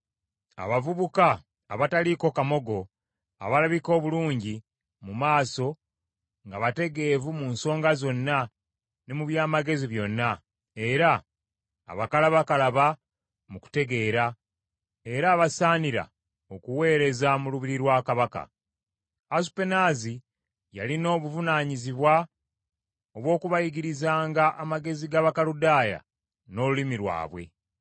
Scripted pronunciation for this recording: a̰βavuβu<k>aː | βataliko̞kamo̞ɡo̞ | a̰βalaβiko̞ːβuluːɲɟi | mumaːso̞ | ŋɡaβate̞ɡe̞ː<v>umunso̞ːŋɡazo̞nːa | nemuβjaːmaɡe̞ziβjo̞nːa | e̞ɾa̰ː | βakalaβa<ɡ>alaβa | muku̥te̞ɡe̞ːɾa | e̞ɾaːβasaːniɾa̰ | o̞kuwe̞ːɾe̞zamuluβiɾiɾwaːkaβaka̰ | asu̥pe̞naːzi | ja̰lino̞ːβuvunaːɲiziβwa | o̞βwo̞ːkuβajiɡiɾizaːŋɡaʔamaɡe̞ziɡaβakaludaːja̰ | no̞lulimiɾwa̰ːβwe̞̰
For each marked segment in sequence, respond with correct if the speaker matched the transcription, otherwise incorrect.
correct, correct, incorrect

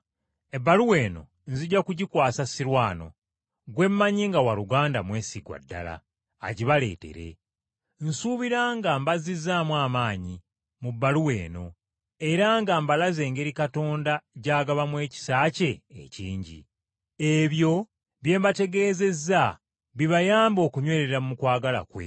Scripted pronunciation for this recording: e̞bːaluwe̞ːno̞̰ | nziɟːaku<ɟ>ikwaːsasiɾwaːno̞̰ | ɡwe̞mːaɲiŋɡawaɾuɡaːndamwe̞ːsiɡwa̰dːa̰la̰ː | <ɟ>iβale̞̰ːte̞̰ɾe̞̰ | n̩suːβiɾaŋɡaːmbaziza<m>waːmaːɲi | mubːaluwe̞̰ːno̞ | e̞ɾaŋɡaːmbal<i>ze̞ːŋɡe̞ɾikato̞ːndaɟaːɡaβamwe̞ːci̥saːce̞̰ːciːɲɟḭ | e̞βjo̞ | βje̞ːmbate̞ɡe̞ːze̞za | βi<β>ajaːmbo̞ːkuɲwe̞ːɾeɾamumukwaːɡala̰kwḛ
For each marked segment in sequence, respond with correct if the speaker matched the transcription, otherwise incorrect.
correct, correct, correct, incorrect, correct

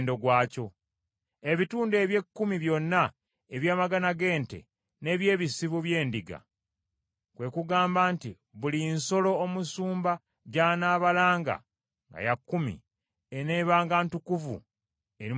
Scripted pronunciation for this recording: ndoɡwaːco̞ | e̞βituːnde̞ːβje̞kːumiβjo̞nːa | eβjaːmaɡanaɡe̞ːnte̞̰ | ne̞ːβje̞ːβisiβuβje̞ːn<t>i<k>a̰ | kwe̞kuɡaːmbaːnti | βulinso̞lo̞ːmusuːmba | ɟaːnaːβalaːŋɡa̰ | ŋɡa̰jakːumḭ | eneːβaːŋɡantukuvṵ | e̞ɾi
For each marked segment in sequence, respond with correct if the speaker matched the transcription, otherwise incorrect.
incorrect, incorrect

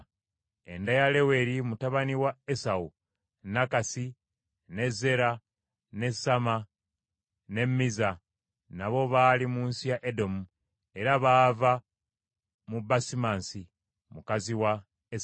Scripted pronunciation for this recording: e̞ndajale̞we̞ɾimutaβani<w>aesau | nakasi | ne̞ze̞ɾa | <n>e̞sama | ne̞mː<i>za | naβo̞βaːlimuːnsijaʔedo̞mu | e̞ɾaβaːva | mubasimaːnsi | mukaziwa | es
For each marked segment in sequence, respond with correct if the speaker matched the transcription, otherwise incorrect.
correct, correct, correct

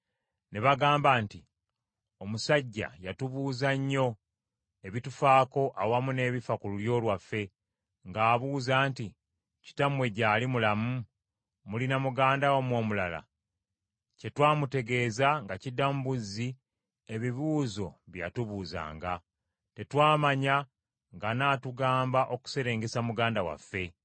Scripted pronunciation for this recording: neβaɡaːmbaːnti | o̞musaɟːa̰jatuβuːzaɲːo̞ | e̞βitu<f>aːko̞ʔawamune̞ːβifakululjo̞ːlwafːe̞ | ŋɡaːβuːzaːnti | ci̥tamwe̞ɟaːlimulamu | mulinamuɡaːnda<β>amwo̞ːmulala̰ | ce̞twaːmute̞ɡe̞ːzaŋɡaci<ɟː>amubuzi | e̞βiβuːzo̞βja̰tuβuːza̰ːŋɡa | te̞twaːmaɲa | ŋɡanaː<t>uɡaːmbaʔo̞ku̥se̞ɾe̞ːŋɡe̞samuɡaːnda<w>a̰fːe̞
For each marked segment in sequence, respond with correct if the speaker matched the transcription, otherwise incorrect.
correct, incorrect, incorrect, correct, correct

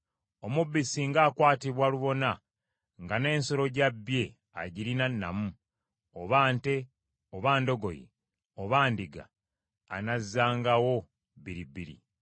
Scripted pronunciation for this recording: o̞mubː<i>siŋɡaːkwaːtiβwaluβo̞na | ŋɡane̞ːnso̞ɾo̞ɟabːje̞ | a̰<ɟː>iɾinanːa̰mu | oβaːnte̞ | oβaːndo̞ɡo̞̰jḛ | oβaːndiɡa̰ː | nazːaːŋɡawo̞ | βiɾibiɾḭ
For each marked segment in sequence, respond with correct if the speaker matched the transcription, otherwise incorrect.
correct, incorrect

